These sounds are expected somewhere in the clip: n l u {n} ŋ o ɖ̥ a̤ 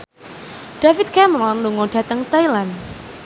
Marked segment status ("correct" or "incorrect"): incorrect